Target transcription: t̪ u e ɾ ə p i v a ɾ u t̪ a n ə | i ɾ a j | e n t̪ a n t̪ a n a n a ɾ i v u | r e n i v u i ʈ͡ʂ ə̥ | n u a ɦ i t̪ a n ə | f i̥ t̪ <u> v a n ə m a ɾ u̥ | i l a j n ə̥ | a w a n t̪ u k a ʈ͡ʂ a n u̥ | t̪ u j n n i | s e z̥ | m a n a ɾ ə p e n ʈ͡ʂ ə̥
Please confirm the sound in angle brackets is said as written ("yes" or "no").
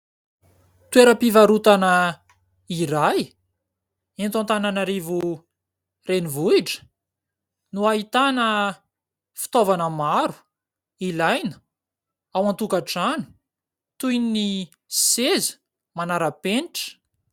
no